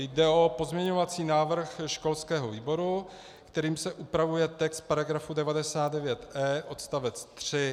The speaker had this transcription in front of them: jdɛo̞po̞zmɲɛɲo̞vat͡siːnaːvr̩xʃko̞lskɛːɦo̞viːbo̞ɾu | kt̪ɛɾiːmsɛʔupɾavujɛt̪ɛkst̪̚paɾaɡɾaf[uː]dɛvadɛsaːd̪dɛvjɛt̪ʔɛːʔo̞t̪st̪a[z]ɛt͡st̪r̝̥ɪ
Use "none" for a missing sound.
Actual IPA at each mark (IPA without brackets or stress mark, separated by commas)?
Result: u, v